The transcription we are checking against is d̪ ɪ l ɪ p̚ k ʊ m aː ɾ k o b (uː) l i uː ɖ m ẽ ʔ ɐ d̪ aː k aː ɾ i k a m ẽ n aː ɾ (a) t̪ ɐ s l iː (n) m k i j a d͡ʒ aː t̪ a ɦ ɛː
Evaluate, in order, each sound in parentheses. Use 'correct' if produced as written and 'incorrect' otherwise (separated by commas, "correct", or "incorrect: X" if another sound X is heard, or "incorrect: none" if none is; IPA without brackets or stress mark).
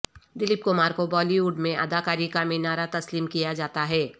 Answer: incorrect: ɔː, correct, incorrect: none